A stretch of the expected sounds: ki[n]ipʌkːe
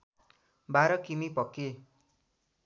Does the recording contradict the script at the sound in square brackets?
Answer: yes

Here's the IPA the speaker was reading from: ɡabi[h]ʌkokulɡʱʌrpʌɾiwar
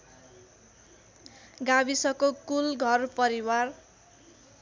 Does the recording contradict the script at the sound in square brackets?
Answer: yes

